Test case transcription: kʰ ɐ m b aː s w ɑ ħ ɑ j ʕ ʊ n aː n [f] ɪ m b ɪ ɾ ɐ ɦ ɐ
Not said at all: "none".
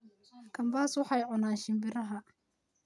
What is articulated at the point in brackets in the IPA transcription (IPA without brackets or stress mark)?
ʃ